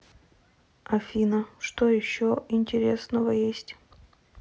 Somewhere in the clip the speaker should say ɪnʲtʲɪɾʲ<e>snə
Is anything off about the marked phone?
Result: no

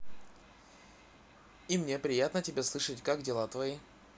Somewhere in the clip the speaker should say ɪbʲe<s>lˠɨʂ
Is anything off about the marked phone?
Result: no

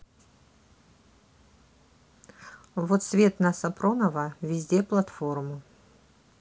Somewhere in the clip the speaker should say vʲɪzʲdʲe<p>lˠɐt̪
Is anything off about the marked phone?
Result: no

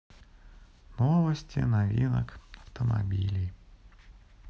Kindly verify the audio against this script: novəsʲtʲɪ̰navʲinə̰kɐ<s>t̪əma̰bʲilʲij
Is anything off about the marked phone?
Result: yes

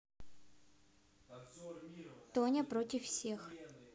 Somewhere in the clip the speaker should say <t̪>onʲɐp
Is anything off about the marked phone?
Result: no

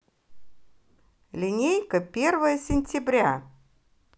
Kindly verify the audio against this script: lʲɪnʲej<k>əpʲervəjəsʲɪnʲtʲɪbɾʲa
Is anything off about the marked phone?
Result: no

